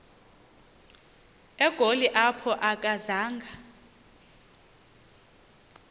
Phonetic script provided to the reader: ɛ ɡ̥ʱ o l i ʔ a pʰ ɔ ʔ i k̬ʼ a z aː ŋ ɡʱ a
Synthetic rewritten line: ɛ ɡ̥ʱ o l i ʔ a pʰ ɔ ʔ a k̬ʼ a z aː ŋ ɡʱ a